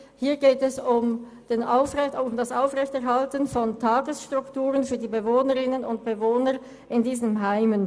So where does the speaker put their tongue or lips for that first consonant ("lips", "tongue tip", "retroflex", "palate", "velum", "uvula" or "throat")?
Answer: throat